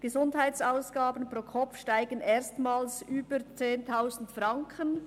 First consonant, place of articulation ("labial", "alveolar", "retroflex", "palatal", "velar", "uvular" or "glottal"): velar